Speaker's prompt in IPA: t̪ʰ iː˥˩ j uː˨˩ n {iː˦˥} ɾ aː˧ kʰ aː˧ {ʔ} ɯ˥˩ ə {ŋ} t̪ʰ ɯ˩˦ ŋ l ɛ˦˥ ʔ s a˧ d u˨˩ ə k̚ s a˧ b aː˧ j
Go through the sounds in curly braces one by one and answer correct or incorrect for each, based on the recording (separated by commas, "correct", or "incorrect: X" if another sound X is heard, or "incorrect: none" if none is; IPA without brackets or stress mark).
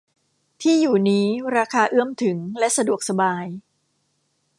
correct, correct, incorrect: m